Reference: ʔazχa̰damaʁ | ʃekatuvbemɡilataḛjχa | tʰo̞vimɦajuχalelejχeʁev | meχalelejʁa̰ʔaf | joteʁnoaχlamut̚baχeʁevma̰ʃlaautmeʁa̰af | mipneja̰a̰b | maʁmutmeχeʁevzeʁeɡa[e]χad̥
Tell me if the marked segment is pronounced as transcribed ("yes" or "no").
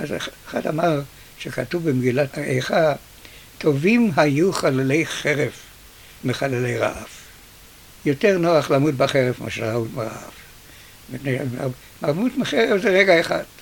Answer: yes